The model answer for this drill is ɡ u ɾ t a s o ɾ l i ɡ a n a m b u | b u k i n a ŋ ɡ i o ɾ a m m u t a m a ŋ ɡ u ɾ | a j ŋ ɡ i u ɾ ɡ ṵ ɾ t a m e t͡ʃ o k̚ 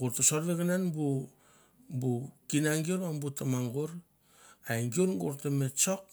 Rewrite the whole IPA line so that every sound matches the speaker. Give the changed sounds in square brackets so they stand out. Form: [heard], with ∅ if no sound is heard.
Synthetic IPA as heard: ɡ u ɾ t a s o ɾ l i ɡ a n a [n] b u | b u k i n a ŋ ɡ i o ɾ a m [b] u t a m a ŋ ɡ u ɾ | a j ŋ ɡ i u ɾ ɡ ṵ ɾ t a m e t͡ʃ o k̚